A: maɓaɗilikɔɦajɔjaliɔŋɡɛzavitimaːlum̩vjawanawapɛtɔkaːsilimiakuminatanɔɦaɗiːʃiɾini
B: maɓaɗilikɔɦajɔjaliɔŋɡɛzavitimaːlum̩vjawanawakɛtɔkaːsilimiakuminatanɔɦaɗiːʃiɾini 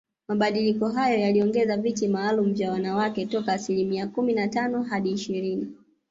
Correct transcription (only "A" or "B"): B